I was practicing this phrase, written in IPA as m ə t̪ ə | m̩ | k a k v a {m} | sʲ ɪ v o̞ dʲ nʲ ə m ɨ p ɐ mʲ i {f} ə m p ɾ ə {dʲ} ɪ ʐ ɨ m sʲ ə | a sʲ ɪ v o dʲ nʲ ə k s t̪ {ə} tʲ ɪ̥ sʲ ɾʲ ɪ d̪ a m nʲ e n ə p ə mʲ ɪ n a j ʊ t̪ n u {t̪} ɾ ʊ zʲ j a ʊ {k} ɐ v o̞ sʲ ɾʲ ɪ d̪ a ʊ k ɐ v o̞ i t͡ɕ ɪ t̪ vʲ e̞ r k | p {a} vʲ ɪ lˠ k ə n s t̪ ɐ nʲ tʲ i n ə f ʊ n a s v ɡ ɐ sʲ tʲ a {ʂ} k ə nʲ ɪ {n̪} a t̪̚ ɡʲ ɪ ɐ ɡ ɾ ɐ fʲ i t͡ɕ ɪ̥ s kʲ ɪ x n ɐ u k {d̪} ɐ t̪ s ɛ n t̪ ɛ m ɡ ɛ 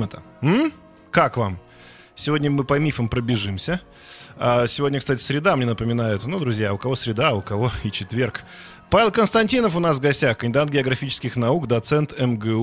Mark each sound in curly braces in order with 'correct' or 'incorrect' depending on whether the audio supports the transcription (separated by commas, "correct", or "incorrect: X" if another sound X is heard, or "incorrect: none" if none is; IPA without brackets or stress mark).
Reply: correct, correct, incorrect: bʲ, incorrect: a, incorrect: d̪, correct, correct, incorrect: x, incorrect: d̪, correct